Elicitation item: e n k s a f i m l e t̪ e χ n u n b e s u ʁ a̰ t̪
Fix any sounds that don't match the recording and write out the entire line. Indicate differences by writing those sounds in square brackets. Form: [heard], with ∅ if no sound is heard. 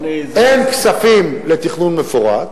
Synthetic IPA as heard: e n k s a f i m l e t̪ [i] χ n u n [m] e [f] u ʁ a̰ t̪

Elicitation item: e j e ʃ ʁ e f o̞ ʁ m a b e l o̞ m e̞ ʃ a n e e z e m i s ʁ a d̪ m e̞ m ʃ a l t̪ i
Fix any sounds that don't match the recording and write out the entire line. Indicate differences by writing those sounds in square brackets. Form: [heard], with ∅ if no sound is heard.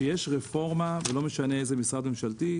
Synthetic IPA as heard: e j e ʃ ʁ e f o̞ ʁ m a [v] e l o̞ m e̞ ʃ a n e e z e m i s ʁ a d̪ m e̞ m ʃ a l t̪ i

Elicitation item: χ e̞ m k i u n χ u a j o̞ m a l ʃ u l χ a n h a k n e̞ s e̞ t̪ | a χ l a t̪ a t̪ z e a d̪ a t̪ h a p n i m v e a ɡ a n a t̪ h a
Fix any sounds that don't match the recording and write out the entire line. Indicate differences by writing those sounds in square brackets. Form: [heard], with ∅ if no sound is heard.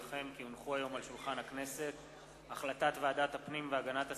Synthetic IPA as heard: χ e̞ m k i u n χ u a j o̞ m a l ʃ u l χ a n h a k n e̞ s e̞ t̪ | a χ l a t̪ a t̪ [v] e a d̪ a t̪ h a p n i m v e a ɡ a n a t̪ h a

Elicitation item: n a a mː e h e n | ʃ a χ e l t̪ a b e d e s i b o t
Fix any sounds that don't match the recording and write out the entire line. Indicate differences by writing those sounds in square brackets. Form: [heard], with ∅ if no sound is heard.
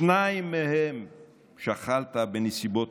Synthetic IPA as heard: n a [i] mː e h e [m] | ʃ a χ [a] l t̪ a b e [n] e s i b o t

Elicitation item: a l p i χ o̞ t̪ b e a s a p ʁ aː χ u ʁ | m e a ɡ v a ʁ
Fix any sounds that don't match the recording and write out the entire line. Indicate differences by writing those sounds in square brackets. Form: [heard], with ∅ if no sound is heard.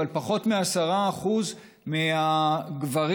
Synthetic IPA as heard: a l p [a] χ o̞ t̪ [m] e a s a [∅] ʁ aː χ u [z] | m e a ɡ v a ʁ

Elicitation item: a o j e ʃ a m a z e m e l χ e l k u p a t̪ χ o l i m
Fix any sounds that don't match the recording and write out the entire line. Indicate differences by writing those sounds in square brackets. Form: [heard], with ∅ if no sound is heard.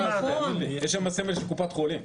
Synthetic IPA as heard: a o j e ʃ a m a [s] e m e l [ʃ] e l k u p a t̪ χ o l i m

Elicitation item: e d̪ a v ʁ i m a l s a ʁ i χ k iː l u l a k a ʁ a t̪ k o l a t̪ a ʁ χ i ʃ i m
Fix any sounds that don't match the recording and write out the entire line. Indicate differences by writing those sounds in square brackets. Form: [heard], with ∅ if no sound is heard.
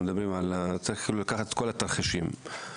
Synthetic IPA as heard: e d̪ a [b] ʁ i m a l [t͡s] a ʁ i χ k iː l u l a k a [χ] a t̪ k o l a t̪ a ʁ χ i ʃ i m

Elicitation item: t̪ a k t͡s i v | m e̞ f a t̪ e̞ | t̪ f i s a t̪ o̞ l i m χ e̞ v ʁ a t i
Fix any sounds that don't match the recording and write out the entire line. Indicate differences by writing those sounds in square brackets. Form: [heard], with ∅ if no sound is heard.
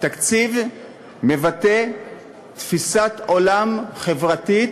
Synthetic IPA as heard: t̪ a k t͡s i v | m e̞ [v] a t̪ e̞ | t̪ f i s a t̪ o̞ l [a] m χ e̞ v ʁ a t i

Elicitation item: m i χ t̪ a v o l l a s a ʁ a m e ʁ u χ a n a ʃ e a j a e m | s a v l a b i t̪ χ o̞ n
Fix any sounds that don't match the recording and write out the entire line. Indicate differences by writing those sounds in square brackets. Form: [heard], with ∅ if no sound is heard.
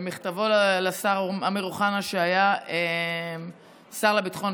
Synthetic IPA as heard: m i χ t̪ a v o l l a s a ʁ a m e ʁ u χ a n a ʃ e a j a e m | s a [ʁ] l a b i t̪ χ o̞ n

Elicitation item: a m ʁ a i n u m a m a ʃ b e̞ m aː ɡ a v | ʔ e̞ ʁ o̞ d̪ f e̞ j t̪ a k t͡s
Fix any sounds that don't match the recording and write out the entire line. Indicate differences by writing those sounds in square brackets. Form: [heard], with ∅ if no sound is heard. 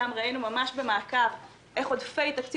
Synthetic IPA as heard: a m ʁ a i n u m a m a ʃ b e̞ m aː [k] a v | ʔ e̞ [χ] o̞ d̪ f e̞ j t̪ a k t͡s

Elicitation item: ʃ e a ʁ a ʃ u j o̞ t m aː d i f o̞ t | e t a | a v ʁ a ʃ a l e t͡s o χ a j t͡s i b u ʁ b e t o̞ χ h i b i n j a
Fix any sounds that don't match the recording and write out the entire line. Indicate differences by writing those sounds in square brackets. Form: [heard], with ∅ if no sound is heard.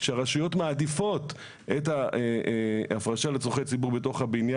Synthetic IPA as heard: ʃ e a ʁ a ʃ u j o̞ t m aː d i f o̞ t | e t a | a [f] ʁ a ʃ a l e t͡s o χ [e] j t͡s i b u ʁ b e t o̞ χ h [a] b i n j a

